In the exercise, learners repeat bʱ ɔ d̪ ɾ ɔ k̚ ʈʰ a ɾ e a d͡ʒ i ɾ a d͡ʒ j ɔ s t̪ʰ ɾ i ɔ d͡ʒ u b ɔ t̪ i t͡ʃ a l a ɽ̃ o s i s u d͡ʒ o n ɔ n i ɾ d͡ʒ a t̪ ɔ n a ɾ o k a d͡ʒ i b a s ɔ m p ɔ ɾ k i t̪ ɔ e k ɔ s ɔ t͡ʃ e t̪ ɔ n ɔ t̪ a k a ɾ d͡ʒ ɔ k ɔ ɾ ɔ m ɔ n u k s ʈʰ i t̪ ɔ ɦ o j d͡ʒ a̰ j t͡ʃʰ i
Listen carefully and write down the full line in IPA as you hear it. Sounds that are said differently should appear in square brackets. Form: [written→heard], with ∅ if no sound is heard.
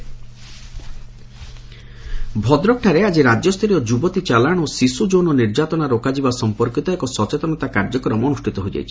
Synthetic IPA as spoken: bʱ ɔ d̪ ɾ ɔ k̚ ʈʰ a ɾ e a d͡ʒ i ɾ a d͡ʒ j ɔ s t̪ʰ ɾ i ɔ d͡ʒ u b ɔ t̪ i t͡ʃ a l a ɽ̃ o s i s u d͡ʒ o n ɔ n i ɾ d͡ʒ a t̪ ɔ n a ɾ o k a d͡ʒ i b a s ɔ m p ɔ ɾ k i t̪ ɔ e k ɔ s ɔ t͡ʃ e t̪ ɔ n ɔ t̪ a k a ɾ d͡ʒ ɔ k ɔ ɾ ɔ m ɔ n u [k→∅] s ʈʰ i t̪ ɔ ɦ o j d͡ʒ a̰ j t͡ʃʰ i

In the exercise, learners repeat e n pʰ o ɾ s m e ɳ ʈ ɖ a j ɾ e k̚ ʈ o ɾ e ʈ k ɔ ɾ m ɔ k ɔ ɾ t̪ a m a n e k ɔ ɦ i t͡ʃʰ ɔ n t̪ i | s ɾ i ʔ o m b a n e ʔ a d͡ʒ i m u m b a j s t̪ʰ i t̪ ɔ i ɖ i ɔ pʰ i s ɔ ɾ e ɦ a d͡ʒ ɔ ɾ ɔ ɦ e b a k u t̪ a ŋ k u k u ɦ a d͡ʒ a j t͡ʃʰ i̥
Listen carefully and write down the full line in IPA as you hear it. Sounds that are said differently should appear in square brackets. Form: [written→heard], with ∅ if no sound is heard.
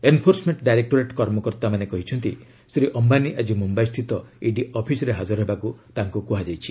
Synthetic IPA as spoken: e n pʰ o ɾ s m e ɳ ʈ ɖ a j ɾ e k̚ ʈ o ɾ e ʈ k ɔ ɾ m ɔ k ɔ ɾ t̪ a m a n e k ɔ ɦ i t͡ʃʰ ɔ n t̪ i | s ɾ i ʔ [o→ɔ] m b a n [e→i] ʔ a d͡ʒ i m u m b a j s t̪ʰ i t̪ ɔ i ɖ i ɔ pʰ i s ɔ ɾ e ɦ a d͡ʒ ɔ ɾ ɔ ɦ e b a k u t̪ a ŋ k u k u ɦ a d͡ʒ a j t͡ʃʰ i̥

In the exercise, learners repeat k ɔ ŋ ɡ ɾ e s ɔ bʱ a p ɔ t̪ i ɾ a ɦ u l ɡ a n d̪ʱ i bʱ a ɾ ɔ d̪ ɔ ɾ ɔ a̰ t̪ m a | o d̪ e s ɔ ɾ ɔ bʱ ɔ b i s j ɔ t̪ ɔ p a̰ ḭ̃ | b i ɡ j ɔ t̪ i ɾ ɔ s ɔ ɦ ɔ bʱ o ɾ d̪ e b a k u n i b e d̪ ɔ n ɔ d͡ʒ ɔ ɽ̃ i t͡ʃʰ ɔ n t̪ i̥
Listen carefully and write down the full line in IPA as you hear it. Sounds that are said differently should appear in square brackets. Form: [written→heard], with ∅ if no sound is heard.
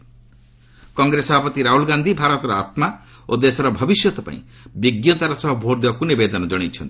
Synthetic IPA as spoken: k ɔ ŋ ɡ ɾ e s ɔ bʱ a p ɔ t̪ i ɾ a ɦ u l ɡ a n d̪ʱ i bʱ a ɾ ɔ [d̪→t̪] ɔ ɾ ɔ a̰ t̪ m a | o d̪ e s ɔ ɾ ɔ bʱ ɔ b i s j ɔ t̪ ɔ p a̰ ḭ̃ | b i ɡ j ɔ t̪ [i→a] ɾ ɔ s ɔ ɦ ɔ bʱ o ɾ d̪ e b a k u n i b e d̪ ɔ n ɔ d͡ʒ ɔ ɽ̃ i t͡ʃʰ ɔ n t̪ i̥

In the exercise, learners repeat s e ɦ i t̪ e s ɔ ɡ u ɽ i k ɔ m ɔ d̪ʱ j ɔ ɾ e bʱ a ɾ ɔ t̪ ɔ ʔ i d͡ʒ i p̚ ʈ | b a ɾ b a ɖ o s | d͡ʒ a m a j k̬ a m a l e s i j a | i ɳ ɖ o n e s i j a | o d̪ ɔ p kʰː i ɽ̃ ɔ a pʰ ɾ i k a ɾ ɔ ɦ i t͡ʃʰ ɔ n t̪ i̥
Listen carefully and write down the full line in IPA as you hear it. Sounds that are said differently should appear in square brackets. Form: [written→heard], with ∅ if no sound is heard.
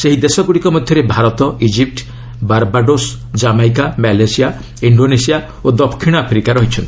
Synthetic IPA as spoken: s e ɦ i [t̪→d̪] e s ɔ ɡ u ɽ i k ɔ m ɔ d̪ʱ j ɔ ɾ e bʱ a ɾ ɔ t̪ ɔ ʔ i d͡ʒ i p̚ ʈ | b a ɾ b a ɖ o s | d͡ʒ a m a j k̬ a m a l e s i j a | i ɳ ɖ o n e s i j a | o d̪ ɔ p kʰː i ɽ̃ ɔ a pʰ ɾ i k a ɾ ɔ ɦ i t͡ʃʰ ɔ n t̪ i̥

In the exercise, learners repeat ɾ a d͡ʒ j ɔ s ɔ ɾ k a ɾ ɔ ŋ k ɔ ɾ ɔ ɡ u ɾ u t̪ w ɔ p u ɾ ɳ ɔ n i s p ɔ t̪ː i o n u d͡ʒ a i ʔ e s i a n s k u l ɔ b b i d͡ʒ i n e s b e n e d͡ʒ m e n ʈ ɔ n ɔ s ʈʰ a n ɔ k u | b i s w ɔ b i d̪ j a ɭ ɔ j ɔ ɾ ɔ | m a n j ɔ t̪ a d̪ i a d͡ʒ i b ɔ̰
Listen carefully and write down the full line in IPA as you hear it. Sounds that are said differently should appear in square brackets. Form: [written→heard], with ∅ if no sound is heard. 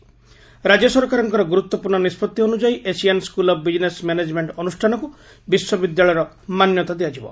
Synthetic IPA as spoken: ɾ a d͡ʒ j ɔ s ɔ ɾ k a ɾ ɔ ŋ k ɔ ɾ ɔ ɡ u ɾ u t̪ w ɔ p u ɾ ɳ ɔ n i s p ɔ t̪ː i o n u d͡ʒ a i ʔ e s i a n s k u l ɔ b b i d͡ʒ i n e s [b→m] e n e d͡ʒ m e [n→ɳ] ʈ ɔ n [ɔ→u] s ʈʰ a n ɔ k u | b i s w ɔ b i d̪ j a ɭ ɔ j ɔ ɾ ɔ | m a n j ɔ t̪ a d̪ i a d͡ʒ i b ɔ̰

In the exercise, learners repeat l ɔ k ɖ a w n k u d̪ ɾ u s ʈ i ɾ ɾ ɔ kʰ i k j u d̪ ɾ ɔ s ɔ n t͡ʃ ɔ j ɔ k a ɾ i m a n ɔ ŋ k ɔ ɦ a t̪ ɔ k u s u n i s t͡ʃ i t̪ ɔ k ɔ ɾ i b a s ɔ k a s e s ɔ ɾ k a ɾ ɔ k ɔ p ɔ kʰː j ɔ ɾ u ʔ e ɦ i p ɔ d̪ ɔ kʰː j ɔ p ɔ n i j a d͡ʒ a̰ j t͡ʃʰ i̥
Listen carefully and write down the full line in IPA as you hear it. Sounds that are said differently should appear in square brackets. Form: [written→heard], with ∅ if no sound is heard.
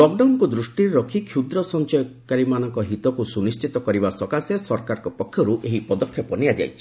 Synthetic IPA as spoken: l ɔ k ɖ a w n k u d̪ ɾ u s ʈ i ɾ ɾ ɔ kʰ i [k→kʰ] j u d̪ ɾ ɔ s ɔ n t͡ʃ ɔ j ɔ k a ɾ i m a n ɔ ŋ k ɔ ɦ [a→i] t̪ ɔ k u s u n i s t͡ʃ i t̪ ɔ k ɔ ɾ i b a s ɔ k a s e s ɔ ɾ k a ɾ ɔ k ɔ p ɔ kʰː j ɔ ɾ u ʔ e ɦ i p ɔ d̪ ɔ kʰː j ɔ p ɔ n i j a d͡ʒ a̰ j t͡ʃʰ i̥

